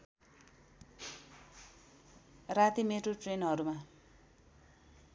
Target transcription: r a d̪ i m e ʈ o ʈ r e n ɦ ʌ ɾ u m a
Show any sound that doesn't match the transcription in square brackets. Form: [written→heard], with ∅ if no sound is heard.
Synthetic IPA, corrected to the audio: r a [d̪→t̪] i m e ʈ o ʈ r e n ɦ ʌ ɾ u m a

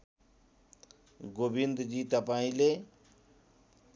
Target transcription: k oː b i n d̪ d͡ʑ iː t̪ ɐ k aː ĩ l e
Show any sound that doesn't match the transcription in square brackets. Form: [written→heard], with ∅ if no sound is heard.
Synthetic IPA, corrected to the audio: [k→ɡ] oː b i n d̪ d͡ʑ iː t̪ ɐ [k→p] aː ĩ l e

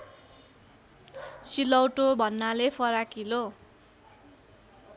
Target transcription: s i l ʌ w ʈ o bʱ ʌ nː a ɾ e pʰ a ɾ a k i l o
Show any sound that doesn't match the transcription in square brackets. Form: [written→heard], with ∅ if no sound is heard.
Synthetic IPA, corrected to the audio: s i l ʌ w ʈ o bʱ ʌ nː a [ɾ→l] e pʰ [a→ʌ] ɾ a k i l o

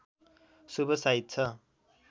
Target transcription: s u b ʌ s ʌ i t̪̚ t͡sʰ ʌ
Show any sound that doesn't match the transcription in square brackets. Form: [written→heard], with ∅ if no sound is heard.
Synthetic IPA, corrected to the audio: s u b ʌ s [ʌ→a] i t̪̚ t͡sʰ ʌ

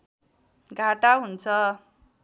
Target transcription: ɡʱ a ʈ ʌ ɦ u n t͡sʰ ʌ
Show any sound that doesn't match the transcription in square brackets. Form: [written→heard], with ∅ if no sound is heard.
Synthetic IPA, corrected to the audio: ɡʱ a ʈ [ʌ→a] ɦ u n t͡sʰ ʌ

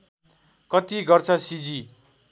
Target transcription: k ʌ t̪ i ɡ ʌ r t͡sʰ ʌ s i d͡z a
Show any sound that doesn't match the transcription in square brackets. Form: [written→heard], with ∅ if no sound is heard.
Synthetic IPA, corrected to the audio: k ʌ t̪ i ɡ ʌ r t͡sʰ ʌ s i d͡z [a→i]

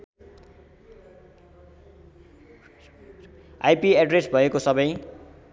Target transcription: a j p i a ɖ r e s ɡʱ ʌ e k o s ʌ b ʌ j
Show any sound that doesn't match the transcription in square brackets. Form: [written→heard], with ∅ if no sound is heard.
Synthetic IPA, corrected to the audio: a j p i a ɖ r e s [ɡʱ→bʱ] ʌ e k o s ʌ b ʌ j

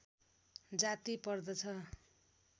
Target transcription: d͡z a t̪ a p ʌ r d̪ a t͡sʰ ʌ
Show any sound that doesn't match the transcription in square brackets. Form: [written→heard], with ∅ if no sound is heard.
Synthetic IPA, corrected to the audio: d͡z a t̪ [a→i] p ʌ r d̪ [a→ʌ] t͡sʰ ʌ

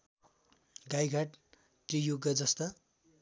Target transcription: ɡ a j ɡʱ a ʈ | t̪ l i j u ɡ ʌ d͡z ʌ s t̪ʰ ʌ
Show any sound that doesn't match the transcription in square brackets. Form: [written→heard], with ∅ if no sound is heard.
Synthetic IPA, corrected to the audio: ɡ a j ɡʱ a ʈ | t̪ [l→r] i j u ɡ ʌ d͡z ʌ s [t̪ʰ→t̪] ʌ

